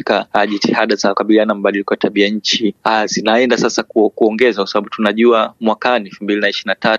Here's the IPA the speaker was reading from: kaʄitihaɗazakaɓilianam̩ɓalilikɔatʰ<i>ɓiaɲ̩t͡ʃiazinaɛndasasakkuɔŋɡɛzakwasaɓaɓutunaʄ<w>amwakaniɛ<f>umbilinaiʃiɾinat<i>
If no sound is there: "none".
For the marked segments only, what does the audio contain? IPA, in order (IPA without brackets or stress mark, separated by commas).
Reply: a, u, f, a